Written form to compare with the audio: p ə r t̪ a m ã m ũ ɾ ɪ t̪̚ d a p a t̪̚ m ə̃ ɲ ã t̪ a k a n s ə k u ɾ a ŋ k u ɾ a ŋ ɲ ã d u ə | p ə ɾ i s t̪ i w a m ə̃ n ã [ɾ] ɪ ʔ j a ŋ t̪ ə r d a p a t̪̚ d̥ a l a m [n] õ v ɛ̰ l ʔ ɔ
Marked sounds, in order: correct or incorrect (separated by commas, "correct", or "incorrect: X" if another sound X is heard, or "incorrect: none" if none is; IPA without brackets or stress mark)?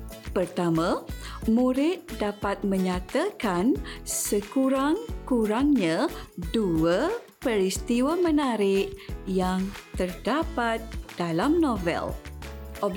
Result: correct, correct